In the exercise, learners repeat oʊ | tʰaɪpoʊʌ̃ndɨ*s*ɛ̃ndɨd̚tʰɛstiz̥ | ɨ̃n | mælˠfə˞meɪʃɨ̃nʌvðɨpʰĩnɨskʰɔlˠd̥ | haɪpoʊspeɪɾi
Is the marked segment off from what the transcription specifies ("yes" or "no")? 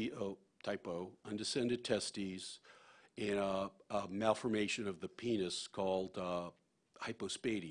no